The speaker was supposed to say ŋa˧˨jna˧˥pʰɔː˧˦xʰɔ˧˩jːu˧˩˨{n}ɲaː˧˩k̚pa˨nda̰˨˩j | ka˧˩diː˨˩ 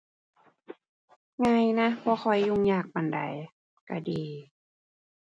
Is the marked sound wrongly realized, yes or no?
yes